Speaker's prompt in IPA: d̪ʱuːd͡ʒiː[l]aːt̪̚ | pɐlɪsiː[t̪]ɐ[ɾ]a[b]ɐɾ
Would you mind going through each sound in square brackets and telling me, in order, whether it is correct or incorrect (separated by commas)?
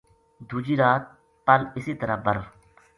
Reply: incorrect, correct, correct, correct